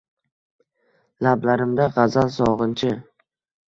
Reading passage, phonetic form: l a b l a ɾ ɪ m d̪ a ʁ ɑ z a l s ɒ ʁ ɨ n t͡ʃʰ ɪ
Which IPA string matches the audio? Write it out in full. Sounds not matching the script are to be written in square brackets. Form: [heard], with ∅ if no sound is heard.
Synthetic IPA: l a b l a ɾ ɪ m d̪ a ʁ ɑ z a l s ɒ ʁ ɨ n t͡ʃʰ ɪ

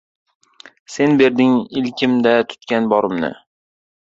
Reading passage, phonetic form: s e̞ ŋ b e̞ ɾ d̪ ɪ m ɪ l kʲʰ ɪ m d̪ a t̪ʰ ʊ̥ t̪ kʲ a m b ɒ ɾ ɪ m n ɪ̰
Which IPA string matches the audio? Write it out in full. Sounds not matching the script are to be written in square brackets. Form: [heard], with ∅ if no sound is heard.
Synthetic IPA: s e̞ [n] b e̞ ɾ d̪ ɪ [ŋ] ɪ l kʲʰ ɪ m d̪ a t̪ʰ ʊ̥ t̪ kʲ a [n] b ɒ ɾ ɪ m n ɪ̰

